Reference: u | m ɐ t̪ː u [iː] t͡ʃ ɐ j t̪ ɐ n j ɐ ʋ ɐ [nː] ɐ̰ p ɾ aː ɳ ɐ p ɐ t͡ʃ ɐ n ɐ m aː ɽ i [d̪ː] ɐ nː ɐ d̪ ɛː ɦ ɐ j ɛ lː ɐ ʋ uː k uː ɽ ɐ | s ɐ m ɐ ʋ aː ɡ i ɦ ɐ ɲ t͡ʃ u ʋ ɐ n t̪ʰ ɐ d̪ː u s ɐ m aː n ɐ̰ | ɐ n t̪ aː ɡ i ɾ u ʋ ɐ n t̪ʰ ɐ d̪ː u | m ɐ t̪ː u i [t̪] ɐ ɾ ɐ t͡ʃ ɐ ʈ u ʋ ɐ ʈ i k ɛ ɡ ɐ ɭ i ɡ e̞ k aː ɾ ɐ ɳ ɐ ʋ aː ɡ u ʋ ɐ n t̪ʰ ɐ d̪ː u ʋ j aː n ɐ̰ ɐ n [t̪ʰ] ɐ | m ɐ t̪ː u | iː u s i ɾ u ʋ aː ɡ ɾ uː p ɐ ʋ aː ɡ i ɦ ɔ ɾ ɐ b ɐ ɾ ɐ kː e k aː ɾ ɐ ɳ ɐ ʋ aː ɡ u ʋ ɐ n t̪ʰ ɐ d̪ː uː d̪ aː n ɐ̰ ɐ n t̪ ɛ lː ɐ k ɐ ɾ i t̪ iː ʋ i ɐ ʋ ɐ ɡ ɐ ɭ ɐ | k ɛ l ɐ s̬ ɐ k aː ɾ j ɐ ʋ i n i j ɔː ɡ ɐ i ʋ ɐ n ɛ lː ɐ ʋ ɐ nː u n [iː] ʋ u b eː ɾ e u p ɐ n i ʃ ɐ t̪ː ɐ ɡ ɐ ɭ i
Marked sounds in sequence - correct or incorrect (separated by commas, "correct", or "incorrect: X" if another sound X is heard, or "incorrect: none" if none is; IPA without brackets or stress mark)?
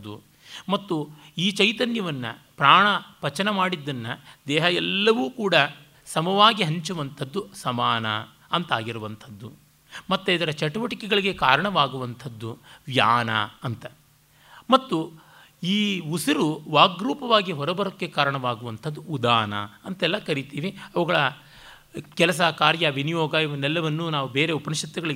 correct, correct, correct, incorrect: d̪, incorrect: t̪, incorrect: aː